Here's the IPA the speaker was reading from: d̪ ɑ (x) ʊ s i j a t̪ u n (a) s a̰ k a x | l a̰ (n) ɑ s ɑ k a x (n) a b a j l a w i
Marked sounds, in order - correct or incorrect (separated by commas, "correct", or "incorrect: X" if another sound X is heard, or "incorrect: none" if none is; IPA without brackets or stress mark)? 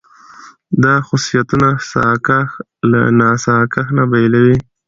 correct, correct, correct, correct